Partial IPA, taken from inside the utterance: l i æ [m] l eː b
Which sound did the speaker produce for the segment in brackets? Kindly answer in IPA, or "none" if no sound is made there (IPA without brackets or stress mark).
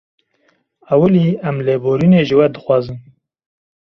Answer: m